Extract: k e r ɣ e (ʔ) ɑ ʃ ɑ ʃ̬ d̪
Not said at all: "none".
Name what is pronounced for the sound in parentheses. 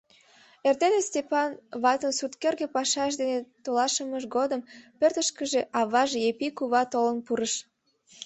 p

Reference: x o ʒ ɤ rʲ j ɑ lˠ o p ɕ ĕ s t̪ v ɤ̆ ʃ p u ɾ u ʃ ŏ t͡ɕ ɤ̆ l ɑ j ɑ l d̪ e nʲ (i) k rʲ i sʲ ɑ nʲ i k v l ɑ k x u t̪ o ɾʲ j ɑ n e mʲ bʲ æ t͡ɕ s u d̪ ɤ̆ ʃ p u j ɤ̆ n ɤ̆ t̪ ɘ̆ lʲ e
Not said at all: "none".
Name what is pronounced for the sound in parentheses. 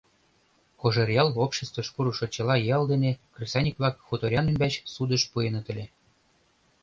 e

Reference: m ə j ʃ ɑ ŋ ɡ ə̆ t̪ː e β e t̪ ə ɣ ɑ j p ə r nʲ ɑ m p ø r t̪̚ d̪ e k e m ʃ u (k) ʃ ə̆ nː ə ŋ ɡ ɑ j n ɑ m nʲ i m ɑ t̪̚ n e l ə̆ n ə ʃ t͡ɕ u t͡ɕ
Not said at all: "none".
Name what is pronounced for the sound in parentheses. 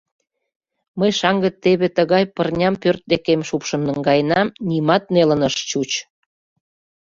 p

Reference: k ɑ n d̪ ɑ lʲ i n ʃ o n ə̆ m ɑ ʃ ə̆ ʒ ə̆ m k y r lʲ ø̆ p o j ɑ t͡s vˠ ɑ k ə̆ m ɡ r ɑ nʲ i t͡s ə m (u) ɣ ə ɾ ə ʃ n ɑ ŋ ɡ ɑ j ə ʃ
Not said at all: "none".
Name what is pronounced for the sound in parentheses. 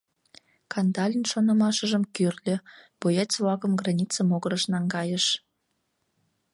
o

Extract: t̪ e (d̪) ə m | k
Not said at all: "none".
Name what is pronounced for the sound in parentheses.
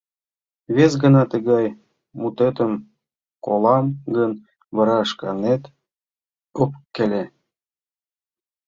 t̪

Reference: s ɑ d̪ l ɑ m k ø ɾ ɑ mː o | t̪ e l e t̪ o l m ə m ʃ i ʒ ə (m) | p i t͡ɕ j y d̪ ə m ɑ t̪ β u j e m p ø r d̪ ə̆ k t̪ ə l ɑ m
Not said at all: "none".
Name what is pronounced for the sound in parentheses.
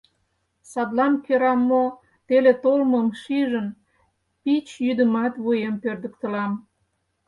n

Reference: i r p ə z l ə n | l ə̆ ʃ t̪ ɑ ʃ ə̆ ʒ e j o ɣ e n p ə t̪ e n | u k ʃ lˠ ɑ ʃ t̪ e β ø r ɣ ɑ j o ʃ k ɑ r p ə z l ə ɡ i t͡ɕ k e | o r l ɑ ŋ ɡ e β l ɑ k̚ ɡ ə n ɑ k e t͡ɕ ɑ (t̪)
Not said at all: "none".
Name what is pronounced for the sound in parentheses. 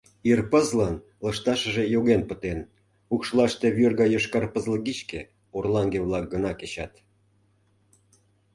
t̪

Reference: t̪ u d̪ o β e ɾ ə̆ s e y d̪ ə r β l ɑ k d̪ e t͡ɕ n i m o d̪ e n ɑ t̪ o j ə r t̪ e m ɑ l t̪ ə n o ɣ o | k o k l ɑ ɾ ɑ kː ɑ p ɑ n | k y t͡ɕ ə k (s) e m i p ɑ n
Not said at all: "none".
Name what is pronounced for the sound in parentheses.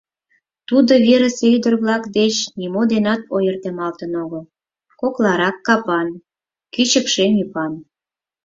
ʃ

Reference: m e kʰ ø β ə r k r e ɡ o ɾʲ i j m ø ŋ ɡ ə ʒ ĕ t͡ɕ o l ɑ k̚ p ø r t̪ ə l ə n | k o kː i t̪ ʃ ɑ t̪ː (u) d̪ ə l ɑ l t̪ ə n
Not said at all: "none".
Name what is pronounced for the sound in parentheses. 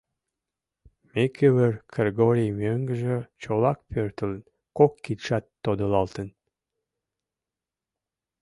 o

